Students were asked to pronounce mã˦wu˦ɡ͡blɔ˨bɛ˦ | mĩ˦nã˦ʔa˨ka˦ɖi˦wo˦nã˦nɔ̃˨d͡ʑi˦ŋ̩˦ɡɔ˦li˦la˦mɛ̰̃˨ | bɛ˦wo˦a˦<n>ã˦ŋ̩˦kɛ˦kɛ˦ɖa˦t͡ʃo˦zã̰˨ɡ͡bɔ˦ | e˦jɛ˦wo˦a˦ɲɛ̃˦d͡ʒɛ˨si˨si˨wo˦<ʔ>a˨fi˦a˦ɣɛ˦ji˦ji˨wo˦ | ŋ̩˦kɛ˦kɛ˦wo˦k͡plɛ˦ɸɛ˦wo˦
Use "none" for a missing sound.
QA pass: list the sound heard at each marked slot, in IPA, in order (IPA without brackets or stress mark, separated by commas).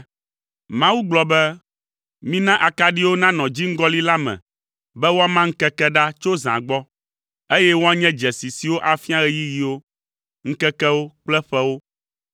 m, ʔ